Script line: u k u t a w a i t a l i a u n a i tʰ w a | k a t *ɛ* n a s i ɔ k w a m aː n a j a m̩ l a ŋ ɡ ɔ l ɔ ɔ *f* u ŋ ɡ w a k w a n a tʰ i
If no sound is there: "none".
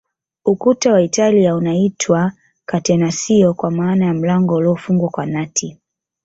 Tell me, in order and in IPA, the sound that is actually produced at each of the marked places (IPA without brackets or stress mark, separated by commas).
ɛ, f